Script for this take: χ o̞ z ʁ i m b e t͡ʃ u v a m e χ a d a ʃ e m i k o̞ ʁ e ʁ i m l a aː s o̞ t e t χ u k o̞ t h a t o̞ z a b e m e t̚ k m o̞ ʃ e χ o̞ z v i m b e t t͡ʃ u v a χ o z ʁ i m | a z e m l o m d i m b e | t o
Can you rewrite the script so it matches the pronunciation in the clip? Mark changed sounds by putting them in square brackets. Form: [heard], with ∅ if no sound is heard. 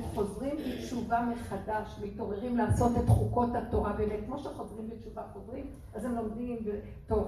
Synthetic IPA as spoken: χ o̞ z ʁ i m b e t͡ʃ u v a m e χ a d a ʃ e m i [t] o̞ ʁ e ʁ i m l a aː s o̞ t e t χ u k o̞ t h a t o̞ [ʁ] a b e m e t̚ k m o̞ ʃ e χ o̞ z [ʁ] i m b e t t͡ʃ u v a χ o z ʁ i m | a z e m l o m d i m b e | t o